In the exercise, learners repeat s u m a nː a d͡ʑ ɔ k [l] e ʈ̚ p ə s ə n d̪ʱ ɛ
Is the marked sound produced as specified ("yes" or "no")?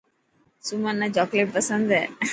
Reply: yes